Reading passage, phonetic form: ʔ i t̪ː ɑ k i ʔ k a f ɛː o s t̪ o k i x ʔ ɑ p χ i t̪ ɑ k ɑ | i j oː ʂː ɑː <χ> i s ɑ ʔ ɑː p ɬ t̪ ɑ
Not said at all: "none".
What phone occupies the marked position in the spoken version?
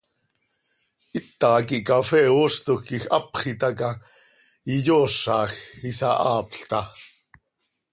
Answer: x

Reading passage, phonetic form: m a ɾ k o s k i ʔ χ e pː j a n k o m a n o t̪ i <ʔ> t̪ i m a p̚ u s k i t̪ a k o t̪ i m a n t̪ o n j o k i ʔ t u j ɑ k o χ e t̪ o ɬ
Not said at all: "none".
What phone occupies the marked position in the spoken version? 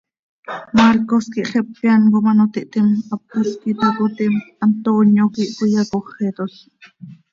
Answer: ʔ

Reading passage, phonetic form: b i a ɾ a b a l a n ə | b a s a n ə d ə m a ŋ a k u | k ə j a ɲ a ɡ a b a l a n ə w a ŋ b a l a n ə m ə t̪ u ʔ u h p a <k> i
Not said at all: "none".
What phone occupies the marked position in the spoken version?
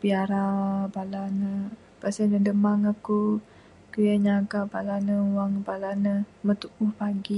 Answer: ɡ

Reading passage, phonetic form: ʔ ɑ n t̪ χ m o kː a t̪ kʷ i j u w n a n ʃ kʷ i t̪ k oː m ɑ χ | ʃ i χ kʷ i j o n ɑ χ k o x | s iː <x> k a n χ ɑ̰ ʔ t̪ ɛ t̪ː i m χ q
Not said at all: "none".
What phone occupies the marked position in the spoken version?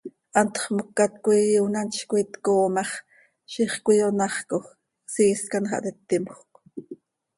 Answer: s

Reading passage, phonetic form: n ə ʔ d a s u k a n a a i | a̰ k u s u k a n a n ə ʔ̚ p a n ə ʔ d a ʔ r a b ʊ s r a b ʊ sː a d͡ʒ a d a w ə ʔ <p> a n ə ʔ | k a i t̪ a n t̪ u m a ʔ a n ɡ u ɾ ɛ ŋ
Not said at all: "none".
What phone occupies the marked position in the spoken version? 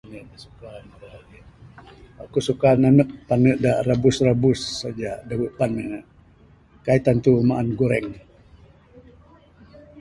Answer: p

